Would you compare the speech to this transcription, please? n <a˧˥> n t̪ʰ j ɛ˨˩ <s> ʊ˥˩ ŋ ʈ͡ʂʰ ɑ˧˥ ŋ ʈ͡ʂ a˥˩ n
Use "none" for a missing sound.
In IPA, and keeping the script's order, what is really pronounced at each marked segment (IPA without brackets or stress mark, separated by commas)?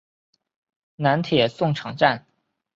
a˧˥, s